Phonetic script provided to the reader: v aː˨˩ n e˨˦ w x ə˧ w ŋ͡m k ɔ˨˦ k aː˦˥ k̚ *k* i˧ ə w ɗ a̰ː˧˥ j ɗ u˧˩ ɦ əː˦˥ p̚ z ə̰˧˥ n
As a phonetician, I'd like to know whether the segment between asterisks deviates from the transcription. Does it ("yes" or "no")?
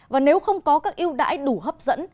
yes